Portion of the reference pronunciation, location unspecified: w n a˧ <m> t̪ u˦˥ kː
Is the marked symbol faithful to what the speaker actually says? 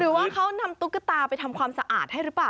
yes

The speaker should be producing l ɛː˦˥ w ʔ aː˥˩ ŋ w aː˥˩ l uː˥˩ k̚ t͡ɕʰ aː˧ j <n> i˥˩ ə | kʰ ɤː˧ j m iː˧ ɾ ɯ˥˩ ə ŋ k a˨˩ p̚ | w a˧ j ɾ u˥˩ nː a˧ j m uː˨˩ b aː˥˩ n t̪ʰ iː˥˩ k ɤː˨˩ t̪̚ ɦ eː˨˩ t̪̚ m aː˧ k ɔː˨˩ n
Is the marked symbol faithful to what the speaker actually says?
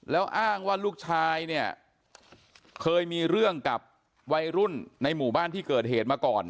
yes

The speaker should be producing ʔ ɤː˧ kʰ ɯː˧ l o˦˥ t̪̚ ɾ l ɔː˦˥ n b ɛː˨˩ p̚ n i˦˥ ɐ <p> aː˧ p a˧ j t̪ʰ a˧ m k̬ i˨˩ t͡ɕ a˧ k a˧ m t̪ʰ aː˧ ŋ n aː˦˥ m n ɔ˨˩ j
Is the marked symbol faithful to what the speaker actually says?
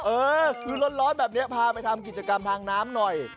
no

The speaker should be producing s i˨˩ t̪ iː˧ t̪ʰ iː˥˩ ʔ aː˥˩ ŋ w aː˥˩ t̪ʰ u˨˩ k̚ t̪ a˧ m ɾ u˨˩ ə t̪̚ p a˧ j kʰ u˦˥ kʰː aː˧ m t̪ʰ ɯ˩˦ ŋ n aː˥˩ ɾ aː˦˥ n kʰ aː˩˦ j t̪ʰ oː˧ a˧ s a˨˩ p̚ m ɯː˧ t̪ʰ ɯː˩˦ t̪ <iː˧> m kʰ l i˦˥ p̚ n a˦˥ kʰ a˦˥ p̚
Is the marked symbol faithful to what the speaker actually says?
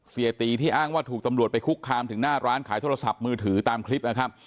no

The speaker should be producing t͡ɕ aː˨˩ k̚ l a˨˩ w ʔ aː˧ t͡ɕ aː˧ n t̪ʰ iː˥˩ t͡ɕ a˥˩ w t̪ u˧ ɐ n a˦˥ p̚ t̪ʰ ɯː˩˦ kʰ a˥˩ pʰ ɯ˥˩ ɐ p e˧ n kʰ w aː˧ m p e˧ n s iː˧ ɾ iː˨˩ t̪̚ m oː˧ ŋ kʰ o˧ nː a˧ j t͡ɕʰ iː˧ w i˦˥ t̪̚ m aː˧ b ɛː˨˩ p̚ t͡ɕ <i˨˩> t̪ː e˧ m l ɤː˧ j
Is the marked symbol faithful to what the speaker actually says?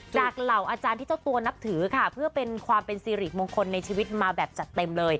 no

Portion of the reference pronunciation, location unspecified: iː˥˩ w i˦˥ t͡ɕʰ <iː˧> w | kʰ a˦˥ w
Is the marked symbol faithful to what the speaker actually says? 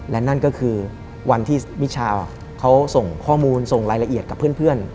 no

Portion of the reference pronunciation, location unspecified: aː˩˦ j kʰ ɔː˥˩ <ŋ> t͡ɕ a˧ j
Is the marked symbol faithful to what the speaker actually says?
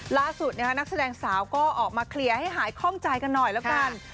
yes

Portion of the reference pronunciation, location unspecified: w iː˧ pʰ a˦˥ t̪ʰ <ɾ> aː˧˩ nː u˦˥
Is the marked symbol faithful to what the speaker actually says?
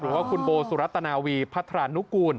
yes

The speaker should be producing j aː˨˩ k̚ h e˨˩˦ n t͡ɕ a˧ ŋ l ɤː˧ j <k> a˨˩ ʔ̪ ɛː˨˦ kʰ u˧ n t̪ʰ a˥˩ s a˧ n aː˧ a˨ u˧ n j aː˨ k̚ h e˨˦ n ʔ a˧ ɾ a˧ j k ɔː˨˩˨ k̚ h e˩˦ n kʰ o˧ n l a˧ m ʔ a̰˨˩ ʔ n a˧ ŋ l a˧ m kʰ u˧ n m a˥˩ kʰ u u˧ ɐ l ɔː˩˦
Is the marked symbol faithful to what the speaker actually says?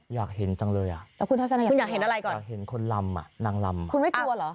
no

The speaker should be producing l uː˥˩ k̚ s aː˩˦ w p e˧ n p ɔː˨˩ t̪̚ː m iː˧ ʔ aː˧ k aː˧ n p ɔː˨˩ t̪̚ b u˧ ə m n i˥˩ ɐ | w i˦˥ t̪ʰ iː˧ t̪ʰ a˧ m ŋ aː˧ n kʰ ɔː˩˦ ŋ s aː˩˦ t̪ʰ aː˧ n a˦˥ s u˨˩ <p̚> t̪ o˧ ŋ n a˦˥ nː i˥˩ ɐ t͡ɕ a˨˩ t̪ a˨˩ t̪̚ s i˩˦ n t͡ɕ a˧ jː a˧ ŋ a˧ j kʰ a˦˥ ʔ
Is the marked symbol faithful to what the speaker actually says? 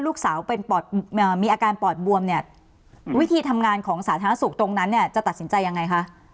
no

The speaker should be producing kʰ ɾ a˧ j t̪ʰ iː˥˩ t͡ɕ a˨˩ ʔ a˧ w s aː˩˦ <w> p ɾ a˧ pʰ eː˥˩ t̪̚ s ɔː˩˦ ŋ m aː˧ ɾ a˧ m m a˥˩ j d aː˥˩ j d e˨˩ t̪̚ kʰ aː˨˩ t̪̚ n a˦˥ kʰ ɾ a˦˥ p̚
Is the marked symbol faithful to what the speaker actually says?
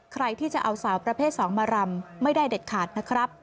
yes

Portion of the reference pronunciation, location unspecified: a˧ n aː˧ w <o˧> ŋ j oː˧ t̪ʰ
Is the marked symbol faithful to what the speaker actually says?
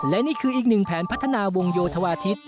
yes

